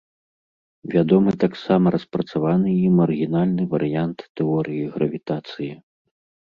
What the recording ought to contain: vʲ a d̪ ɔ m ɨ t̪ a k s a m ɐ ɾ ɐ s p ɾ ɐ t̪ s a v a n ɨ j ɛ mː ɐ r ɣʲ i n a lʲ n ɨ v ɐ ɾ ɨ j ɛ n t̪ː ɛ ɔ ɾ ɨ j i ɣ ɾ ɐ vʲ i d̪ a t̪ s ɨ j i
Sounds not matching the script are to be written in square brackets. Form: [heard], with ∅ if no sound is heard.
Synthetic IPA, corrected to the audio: vʲ a d̪ ɔ m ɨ t̪ a k s a m ɐ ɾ ɐ s p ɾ ɐ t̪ s a v a n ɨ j [i] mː ɐ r ɣʲ i n a lʲ n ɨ v ɐ ɾ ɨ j [a] n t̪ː ɛ ɔ ɾ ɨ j i ɣ ɾ ɐ vʲ i [t̪] a t̪ s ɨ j i